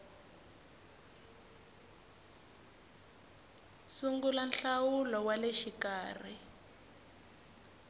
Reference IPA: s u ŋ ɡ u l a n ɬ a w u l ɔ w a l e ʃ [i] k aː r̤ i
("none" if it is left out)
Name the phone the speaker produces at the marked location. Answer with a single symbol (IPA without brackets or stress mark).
i